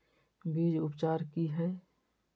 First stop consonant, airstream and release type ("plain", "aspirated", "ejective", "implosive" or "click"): plain